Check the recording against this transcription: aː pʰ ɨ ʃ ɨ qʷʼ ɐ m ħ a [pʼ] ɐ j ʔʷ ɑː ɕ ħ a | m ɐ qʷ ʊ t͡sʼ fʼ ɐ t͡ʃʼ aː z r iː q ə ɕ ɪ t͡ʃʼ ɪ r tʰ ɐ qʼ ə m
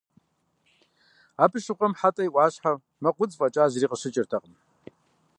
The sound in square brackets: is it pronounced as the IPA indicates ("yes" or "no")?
no